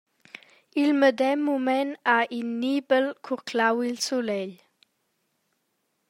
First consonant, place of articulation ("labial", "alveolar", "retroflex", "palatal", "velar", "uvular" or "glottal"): alveolar